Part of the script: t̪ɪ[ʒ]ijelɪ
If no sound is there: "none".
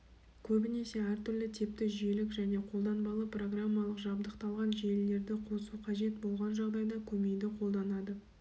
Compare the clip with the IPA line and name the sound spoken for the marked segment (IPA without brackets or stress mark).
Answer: ʒ